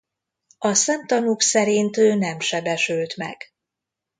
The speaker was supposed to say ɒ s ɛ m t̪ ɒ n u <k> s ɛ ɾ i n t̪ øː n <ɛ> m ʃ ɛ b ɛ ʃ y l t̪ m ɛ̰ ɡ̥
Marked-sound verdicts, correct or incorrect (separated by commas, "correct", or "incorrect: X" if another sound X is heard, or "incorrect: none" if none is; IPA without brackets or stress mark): correct, correct